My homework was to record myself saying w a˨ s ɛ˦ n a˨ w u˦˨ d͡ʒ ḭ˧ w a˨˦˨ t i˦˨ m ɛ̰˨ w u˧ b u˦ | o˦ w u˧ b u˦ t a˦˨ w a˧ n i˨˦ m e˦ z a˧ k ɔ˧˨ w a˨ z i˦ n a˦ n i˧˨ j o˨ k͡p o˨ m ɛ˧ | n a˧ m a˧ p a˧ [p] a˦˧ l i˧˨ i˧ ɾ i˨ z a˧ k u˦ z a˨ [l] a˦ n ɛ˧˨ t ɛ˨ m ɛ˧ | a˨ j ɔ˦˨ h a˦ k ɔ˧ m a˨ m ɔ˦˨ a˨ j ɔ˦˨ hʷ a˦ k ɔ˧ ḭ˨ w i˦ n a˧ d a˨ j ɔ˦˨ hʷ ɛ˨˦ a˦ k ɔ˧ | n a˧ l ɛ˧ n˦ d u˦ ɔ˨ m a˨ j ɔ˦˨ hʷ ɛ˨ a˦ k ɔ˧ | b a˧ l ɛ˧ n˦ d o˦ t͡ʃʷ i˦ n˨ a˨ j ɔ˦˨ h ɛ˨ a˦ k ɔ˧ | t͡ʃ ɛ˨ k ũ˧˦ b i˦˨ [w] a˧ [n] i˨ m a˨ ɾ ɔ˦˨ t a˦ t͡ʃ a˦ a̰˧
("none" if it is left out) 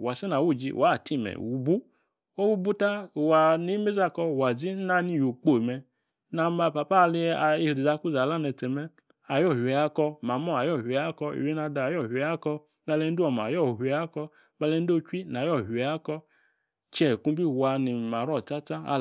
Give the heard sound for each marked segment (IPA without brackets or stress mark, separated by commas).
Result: p, l, w, n